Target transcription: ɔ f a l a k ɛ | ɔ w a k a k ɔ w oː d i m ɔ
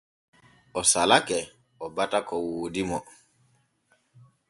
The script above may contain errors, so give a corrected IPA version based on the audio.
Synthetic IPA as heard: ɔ s a l a k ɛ | ɔ b a t a k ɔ w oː d i m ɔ